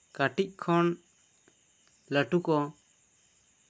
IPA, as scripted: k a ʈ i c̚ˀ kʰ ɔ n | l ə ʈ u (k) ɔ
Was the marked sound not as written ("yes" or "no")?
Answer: no